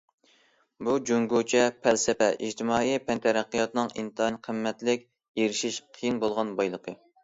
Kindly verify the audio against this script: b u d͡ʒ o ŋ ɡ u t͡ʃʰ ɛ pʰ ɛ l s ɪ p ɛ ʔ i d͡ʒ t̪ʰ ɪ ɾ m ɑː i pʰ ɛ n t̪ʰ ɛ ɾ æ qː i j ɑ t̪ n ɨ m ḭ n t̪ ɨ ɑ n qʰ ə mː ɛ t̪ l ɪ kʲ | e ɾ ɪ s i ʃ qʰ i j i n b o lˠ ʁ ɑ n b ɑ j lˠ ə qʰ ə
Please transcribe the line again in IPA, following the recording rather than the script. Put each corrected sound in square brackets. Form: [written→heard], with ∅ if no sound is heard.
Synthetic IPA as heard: b u d͡ʒ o ŋ ɡ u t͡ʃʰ ɛ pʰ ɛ l s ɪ p ɛ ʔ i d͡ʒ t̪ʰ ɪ [ɾ→∅] m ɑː i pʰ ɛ n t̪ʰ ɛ ɾ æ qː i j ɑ t̪ n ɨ [m→ŋ] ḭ n t̪ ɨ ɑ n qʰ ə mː ɛ t̪ l ɪ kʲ | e ɾ ɪ [s→ʃ] i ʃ qʰ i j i n b o lˠ ʁ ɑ n b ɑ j lˠ ə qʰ ə

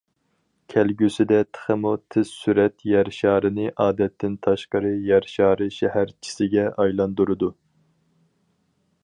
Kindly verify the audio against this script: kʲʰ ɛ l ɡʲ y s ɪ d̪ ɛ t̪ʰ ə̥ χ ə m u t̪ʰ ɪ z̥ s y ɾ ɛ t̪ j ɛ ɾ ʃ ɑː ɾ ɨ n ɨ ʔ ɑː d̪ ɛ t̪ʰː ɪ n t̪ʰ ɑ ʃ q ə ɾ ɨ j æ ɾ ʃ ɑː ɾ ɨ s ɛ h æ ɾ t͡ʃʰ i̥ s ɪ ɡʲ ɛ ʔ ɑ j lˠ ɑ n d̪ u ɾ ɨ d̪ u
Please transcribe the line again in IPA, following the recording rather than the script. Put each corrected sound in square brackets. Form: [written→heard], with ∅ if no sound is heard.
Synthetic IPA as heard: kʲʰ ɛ l ɡʲ y s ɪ d̪ ɛ t̪ʰ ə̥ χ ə m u t̪ʰ ɪ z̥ s y ɾ ɛ t̪ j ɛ ɾ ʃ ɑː ɾ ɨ n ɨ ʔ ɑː d̪ ɛ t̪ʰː ɪ n t̪ʰ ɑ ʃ q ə ɾ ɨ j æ ɾ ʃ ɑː ɾ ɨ [s→ʃ] ɛ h æ ɾ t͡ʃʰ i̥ s ɪ ɡʲ ɛ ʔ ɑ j lˠ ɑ n d̪ u ɾ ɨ d̪ u

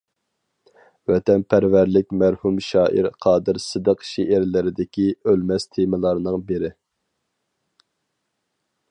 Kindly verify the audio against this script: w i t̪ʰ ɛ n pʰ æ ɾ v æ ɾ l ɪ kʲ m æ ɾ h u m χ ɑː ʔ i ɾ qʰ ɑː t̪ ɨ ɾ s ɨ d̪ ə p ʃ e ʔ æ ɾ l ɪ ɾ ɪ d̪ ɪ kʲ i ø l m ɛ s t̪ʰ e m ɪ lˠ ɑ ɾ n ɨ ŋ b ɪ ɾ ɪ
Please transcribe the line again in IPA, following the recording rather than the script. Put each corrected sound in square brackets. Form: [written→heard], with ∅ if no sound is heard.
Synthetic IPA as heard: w [i→ɛ] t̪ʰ ɛ n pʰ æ ɾ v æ ɾ l ɪ kʲ m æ ɾ h u m [χ→ʃ] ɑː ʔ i ɾ qʰ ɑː [t̪→d̪] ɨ ɾ s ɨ d̪ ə [p→q] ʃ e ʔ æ ɾ l ɪ ɾ ɪ d̪ ɪ kʲ i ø l m ɛ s t̪ʰ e m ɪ lˠ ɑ ɾ n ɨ ŋ b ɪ ɾ ɪ

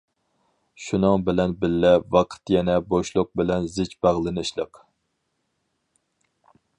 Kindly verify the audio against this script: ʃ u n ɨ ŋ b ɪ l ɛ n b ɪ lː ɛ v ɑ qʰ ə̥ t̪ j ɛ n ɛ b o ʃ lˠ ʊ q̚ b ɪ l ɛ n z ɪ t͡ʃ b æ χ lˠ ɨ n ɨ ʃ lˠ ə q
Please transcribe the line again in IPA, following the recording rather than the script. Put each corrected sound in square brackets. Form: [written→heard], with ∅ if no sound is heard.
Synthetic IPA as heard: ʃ u n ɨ ŋ b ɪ l ɛ n b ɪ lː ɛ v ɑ qʰ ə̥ t̪ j ɛ n ɛ b o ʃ lˠ ʊ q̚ b ɪ l ɛ n z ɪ t͡ʃ b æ [χ→ʁ] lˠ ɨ n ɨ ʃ lˠ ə q

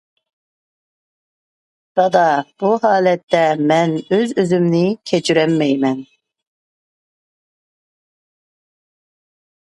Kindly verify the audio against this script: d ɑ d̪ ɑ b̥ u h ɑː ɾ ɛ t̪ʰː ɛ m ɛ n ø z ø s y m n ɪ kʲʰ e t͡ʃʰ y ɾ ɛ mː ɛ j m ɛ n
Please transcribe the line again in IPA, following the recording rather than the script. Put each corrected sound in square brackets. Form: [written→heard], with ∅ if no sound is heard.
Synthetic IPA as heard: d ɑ d̪ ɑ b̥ u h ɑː [ɾ→l] ɛ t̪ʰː ɛ m ɛ n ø z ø [s→z] y m n ɪ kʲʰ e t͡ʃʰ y ɾ ɛ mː ɛ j m ɛ n

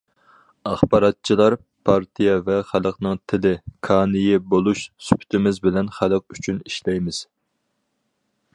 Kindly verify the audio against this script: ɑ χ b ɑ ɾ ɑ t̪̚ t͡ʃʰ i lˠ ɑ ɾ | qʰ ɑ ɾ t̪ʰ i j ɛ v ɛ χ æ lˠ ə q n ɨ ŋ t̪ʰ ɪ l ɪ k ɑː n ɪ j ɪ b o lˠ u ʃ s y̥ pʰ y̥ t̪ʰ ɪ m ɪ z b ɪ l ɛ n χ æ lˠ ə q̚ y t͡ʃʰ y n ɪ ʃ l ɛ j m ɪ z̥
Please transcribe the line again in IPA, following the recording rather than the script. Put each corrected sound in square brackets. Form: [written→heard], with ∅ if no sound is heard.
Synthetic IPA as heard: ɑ χ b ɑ ɾ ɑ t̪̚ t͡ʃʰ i lˠ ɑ ɾ | [qʰ→pʰ] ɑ ɾ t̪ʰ i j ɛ v ɛ χ æ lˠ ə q n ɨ ŋ t̪ʰ ɪ l ɪ [k→kʰ] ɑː n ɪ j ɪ b o lˠ u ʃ s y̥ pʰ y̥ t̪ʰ ɪ m ɪ z b ɪ l ɛ n χ æ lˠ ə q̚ y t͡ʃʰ y n [ɪ→i] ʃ l ɛ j m ɪ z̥

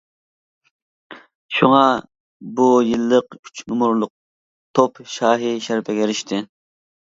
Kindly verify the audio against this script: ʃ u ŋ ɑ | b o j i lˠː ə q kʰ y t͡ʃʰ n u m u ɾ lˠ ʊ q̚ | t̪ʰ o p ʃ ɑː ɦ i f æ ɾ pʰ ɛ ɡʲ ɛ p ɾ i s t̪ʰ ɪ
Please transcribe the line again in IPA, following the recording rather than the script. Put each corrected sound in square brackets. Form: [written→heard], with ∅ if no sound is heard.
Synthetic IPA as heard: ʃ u ŋ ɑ | b [o→u] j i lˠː ə q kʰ y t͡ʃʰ n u m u ɾ lˠ ʊ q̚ | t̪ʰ o p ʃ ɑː ɦ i [f→ʃ] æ ɾ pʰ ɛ ɡʲ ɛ [p→∅] ɾ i [s→ʃ] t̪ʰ ɪ

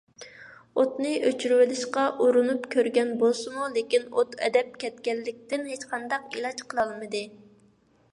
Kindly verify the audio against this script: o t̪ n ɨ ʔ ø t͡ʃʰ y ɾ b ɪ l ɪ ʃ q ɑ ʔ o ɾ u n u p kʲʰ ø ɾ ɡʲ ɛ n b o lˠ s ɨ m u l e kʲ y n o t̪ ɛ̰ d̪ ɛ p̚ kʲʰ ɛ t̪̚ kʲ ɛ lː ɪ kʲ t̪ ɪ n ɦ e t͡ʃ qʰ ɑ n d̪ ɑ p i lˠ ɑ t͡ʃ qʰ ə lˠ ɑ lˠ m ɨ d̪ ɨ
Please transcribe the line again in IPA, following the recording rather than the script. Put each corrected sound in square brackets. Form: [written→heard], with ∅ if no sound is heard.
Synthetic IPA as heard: o t̪ n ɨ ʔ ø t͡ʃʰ y ɾ [b→w] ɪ l ɪ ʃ q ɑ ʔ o ɾ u n u p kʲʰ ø ɾ ɡʲ ɛ n b o lˠ s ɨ m u l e kʲ [y→i] n o t̪ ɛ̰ d̪ ɛ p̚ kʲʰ ɛ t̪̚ kʲ ɛ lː ɪ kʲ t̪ ɪ n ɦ e t͡ʃ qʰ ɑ n d̪ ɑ [p→q] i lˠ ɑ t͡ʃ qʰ ə lˠ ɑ lˠ m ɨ d̪ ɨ

